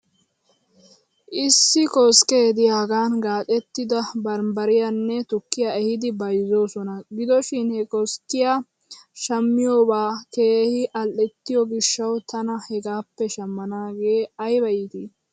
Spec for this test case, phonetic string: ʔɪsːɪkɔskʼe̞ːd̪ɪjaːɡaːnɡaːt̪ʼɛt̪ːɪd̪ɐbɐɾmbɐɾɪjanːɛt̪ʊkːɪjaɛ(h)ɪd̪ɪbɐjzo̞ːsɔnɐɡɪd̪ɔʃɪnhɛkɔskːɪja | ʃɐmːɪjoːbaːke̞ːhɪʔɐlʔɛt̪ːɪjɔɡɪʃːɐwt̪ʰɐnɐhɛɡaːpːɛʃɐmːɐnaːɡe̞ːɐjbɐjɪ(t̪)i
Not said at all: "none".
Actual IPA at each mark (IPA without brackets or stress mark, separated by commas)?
h, t̪